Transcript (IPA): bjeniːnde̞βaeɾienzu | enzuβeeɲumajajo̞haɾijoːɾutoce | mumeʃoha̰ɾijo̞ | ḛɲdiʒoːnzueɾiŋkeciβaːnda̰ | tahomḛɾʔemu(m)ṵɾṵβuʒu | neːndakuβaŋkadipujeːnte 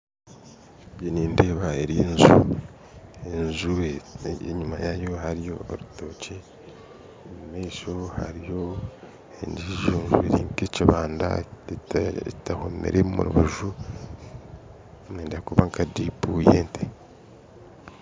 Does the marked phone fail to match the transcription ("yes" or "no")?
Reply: no